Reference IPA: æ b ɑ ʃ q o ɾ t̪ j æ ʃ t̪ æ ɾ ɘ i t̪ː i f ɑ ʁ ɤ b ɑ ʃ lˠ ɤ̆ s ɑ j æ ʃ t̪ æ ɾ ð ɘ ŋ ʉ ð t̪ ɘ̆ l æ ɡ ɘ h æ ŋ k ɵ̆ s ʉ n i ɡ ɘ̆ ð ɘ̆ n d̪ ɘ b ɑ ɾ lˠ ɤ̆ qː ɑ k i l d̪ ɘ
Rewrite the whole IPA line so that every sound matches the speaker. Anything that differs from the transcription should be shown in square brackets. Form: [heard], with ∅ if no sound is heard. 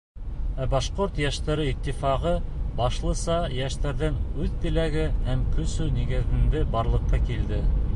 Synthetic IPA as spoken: æ b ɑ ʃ q o ɾ t̪ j æ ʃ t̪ æ ɾ ɘ i t̪ː i f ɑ ʁ ɤ b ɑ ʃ lˠ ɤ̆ s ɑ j æ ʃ t̪ æ ɾ ð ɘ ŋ ʉ ð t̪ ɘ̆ l æ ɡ ɘ h æ [m] k ɵ̆ s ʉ n i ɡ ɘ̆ ð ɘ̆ n d̪ ɘ b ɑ ɾ lˠ ɤ̆ qː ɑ k i l d̪ ɘ